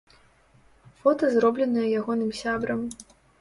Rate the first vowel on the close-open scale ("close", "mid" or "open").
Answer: mid